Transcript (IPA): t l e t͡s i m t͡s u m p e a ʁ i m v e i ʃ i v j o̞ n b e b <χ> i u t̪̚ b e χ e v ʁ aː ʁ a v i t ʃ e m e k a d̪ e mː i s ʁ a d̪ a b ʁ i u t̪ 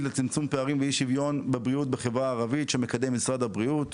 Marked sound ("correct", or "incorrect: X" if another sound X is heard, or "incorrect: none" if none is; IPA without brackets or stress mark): incorrect: ʁ